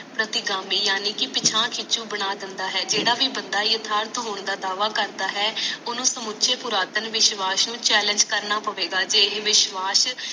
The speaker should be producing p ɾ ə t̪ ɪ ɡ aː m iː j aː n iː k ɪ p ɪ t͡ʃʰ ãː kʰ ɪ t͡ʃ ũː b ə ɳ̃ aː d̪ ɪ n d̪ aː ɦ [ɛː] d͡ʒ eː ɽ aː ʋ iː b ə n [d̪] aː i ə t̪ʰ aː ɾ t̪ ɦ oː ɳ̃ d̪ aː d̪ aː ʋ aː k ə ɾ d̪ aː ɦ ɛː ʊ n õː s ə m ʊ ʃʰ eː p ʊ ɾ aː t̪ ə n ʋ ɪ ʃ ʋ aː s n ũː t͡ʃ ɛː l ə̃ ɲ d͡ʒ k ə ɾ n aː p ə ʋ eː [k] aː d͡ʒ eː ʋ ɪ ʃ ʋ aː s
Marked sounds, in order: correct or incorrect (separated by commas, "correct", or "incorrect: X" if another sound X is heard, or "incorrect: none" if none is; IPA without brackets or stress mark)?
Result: correct, correct, incorrect: ɡ